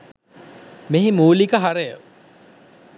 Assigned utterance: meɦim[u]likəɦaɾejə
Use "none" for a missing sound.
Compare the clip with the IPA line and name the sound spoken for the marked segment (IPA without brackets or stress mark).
uː